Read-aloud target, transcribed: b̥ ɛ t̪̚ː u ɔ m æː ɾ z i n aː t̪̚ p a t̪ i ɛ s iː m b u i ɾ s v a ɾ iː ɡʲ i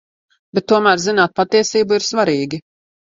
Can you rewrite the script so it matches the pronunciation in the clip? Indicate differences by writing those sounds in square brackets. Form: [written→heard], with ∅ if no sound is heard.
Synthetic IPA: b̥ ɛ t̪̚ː u ɔ m æː ɾ z i n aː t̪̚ p a t̪ i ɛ s iː [m→∅] b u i ɾ s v a ɾ iː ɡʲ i